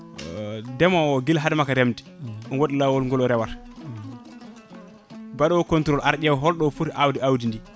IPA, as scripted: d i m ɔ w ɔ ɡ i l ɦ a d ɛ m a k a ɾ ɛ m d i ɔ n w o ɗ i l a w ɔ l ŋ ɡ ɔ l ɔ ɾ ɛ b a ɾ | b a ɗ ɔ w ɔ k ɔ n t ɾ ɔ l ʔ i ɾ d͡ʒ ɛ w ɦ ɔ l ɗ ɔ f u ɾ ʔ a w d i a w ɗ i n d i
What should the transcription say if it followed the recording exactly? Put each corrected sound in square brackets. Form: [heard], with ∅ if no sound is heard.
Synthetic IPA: d [ɛ] m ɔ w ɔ ɡ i l ɦ a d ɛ m a k a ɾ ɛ m d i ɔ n w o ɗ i l a w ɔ l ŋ ɡ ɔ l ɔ ɾ ɛ [w] a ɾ | b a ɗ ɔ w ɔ k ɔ n t ɾ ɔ l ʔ [a] ɾ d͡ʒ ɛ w ɦ ɔ l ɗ ɔ f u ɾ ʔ a w d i a w [d] i n d i